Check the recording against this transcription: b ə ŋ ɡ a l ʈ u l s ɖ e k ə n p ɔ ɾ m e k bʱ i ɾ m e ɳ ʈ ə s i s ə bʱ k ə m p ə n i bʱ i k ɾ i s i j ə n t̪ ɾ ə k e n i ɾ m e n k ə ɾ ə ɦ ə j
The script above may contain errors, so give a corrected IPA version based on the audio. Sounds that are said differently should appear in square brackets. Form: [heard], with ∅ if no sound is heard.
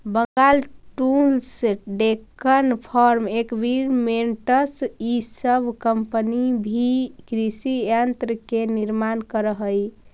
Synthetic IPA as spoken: b ə ŋ ɡ a l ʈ u l s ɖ e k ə n [pʰ] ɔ ɾ m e k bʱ i ɾ m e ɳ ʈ ə s i s ə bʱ k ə m p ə n i bʱ i k ɾ i s i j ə n t̪ ɾ ə k e n i ɾ m [a] n k ə ɾ ə ɦ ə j